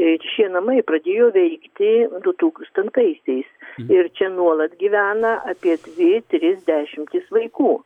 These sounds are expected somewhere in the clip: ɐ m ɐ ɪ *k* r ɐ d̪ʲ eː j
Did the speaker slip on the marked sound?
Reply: yes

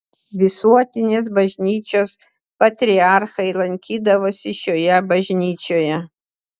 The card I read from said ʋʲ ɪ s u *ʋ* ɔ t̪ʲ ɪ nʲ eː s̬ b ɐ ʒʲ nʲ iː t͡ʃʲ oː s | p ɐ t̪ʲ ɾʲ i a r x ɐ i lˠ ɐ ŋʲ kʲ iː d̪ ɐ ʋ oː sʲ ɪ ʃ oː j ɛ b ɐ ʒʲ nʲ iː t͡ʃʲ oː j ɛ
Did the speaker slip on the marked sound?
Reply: yes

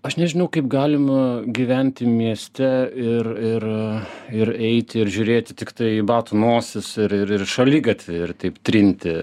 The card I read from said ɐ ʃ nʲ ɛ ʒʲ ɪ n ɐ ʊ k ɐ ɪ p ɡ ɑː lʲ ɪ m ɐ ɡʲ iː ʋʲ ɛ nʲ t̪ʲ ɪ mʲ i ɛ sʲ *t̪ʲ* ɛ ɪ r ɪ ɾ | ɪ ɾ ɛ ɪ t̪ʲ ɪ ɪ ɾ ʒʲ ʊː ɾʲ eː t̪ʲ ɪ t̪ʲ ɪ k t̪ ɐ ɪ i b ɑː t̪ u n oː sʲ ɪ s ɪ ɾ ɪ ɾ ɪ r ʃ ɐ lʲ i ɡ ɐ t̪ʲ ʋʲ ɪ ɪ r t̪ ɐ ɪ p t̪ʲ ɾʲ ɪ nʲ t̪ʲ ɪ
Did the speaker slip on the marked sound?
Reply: no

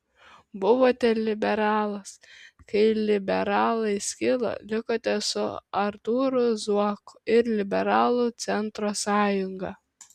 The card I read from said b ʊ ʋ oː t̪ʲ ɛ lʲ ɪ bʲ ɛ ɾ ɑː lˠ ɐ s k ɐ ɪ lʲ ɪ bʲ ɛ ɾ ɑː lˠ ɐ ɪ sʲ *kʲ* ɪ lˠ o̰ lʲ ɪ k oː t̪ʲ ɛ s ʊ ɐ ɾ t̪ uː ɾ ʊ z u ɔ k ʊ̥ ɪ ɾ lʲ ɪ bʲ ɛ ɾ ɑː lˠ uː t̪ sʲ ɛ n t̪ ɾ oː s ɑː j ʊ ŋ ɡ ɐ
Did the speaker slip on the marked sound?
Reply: no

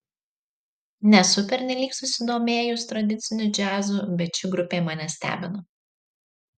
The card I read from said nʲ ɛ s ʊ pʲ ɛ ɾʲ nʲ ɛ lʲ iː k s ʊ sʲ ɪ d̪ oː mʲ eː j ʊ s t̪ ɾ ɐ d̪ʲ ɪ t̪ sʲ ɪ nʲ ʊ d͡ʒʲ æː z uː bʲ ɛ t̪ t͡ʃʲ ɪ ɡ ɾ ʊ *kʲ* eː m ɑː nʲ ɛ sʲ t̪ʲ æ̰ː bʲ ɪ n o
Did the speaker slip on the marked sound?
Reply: yes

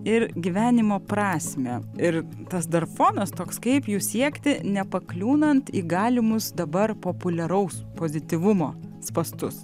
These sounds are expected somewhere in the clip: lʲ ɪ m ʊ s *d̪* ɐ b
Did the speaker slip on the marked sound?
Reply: no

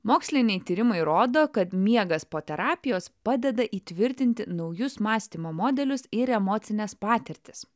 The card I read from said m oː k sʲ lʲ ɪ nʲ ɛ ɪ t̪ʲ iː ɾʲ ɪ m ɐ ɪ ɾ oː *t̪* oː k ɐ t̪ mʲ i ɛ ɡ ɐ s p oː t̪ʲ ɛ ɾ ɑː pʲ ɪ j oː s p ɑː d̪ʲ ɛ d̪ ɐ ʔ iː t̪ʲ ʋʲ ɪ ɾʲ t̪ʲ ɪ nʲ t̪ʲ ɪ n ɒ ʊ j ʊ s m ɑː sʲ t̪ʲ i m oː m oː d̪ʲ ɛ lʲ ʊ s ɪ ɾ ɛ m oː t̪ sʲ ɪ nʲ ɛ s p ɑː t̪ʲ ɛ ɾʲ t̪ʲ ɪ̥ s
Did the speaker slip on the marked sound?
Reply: yes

